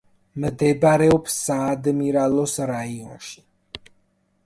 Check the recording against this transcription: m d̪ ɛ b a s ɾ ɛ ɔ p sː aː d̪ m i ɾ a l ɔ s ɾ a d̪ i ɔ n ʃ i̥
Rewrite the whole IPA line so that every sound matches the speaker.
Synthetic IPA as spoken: m d̪ ɛ b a ɾ ɛ ɔ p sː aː d̪ m i ɾ a l ɔ s ɾ a i ɔ n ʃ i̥